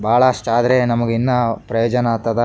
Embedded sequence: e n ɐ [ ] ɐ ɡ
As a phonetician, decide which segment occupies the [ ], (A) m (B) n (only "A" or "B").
A